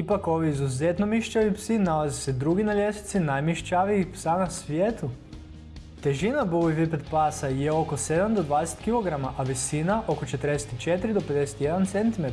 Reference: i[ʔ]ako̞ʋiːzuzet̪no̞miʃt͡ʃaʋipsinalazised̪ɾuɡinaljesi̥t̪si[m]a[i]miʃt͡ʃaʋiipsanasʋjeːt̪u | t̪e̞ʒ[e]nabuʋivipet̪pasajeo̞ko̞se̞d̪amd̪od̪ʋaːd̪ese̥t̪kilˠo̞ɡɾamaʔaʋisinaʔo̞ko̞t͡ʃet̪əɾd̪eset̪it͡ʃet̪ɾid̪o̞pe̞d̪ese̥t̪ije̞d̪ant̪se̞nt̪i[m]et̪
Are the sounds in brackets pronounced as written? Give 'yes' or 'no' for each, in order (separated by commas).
no, no, no, no, yes